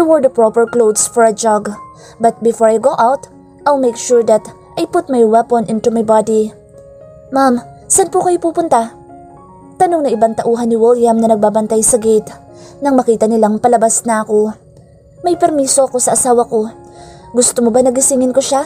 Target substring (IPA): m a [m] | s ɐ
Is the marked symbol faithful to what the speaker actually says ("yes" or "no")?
yes